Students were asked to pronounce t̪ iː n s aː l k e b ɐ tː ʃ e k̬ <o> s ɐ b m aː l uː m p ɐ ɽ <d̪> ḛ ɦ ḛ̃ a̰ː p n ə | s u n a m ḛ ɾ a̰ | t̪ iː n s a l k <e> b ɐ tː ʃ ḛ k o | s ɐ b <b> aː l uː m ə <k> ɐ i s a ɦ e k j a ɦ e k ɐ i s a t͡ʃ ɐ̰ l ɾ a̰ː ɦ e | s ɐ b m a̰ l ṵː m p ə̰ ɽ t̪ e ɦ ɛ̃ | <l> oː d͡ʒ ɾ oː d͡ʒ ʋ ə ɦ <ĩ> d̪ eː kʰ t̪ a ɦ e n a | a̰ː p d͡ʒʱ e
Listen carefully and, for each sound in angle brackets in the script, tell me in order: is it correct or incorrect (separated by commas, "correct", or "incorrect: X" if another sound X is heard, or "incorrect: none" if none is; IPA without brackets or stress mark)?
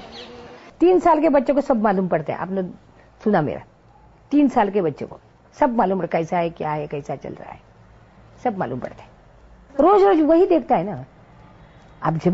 correct, incorrect: t̪, correct, incorrect: m, correct, incorrect: ɾ, incorrect: i